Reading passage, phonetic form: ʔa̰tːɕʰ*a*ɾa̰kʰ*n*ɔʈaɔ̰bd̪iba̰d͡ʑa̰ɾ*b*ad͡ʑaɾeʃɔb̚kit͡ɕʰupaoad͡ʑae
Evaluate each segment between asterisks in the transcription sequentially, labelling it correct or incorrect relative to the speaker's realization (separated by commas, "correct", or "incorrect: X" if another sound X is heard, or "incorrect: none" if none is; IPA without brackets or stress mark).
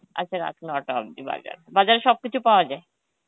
correct, correct, correct